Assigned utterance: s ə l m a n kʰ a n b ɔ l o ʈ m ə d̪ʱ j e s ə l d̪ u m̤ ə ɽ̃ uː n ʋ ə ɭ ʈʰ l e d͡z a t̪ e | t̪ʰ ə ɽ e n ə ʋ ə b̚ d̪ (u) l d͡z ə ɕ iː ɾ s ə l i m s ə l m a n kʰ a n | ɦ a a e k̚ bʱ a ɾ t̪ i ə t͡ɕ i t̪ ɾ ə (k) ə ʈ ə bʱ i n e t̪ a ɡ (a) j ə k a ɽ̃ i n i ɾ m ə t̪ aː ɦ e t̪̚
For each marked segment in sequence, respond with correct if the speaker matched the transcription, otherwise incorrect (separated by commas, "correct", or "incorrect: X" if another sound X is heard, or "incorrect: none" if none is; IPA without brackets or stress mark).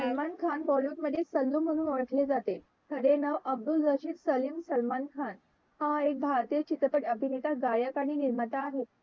correct, incorrect: p, correct